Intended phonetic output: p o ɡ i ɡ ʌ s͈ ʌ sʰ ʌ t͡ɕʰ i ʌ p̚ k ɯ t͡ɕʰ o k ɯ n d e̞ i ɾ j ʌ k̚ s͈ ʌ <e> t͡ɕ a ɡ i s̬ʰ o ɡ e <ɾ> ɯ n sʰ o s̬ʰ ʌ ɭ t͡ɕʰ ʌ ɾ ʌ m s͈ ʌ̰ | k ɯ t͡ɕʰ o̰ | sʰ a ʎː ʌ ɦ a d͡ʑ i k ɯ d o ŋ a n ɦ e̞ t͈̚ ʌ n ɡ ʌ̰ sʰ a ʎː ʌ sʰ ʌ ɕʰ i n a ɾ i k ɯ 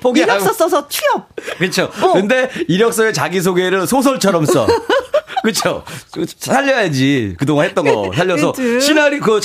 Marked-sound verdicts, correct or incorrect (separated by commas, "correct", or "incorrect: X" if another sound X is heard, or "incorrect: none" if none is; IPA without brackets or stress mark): correct, correct